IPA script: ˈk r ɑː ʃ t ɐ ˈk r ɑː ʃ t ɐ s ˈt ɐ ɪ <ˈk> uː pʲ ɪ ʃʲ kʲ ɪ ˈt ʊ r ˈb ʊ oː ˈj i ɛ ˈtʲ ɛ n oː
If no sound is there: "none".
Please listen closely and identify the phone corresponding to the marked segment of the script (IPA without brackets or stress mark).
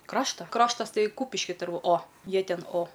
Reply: k